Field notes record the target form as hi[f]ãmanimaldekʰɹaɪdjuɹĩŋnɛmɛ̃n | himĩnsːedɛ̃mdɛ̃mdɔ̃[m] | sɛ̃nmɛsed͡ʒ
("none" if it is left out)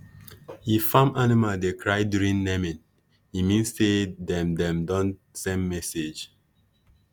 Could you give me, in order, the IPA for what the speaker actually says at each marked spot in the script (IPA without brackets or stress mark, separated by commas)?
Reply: f, n